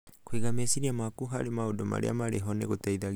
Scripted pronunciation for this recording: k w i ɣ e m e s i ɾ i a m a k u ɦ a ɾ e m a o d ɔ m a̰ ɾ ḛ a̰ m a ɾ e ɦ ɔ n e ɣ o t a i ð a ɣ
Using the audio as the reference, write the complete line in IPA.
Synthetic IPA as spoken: k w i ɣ a m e s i ɾ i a m a k u ɦ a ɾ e m a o d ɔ m a̰ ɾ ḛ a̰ m a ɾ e ɦ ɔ n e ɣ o t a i ð a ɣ